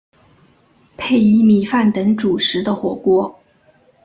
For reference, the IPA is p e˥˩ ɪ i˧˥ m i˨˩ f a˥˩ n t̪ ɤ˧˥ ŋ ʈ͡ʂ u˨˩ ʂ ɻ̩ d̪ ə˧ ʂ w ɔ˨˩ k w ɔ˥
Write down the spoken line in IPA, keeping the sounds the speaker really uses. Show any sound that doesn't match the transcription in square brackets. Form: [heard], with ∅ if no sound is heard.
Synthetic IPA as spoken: [pʰ] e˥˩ ɪ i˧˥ m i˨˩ f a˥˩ n t̪ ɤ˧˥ ŋ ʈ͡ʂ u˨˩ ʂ ɻ̩ d̪ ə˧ [x] w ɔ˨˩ k w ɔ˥